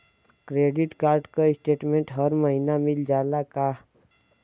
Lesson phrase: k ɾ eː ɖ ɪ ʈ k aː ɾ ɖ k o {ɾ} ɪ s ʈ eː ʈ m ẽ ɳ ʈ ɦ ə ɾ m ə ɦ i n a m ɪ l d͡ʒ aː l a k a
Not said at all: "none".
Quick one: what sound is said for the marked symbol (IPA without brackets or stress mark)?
none